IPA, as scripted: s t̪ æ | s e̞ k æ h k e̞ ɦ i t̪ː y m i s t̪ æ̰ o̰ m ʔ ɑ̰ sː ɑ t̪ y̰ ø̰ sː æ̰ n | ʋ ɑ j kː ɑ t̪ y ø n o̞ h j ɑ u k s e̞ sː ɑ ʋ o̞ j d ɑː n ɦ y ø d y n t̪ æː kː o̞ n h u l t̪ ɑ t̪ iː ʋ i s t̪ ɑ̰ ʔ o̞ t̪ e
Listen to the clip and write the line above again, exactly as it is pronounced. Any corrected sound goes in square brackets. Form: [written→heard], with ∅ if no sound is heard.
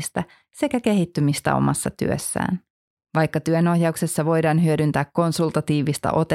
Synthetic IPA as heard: s t̪ æ | s e̞ k æ [h→∅] k e̞ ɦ i t̪ː y m i s t̪ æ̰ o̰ m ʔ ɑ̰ sː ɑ t̪ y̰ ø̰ sː [æ̰→æ̰ː] n | ʋ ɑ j kː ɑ t̪ y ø n o̞ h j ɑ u k s e̞ sː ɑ ʋ o̞ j d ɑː n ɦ y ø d y n t̪ æː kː o̞ n [h→s] u l t̪ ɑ t̪ iː ʋ i s t̪ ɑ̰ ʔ o̞ t̪ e